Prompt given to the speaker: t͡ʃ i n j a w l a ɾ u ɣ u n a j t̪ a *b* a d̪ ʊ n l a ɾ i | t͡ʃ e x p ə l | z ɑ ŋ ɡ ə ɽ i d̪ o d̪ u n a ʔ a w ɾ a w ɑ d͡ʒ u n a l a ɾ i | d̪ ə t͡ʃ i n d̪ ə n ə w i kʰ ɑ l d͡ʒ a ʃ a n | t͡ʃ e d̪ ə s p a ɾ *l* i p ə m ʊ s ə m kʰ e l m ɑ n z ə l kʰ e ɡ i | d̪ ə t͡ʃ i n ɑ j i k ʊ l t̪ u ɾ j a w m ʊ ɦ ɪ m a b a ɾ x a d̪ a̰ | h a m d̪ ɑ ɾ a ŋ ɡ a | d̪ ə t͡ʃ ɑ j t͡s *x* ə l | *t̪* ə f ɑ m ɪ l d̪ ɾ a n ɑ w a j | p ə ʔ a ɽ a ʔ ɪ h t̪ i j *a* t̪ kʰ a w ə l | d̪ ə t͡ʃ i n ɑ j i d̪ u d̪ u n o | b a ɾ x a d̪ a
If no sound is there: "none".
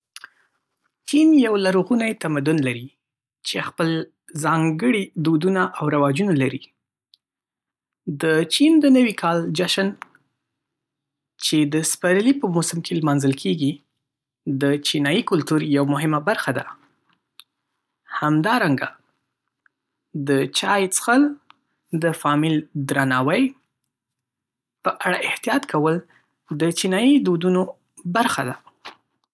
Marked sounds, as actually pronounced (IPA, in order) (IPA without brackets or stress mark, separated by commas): m, l, x, d̪, ɑ